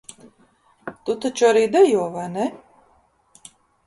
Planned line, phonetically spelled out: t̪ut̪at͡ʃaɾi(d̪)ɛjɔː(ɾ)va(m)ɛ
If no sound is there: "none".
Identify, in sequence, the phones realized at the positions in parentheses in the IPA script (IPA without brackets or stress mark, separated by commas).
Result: d̪, none, n